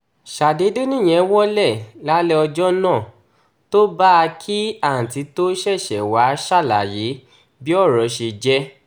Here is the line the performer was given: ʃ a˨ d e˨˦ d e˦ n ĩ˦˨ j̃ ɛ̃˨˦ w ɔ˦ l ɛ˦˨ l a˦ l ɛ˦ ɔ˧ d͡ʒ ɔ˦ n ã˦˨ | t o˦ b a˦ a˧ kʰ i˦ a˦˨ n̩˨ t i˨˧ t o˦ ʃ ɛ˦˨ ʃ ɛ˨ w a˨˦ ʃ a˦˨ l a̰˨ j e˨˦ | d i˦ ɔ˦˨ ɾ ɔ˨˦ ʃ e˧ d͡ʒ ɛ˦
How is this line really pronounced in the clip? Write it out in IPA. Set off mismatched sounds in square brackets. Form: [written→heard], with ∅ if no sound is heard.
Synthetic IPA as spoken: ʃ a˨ d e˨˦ d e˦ n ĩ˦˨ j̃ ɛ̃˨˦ w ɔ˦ l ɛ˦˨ l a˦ l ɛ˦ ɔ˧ d͡ʒ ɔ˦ n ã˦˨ | t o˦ b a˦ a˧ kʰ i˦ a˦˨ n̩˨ t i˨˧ t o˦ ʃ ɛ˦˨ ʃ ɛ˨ w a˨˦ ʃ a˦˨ l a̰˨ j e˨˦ | [d→b] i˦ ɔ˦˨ ɾ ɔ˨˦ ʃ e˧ d͡ʒ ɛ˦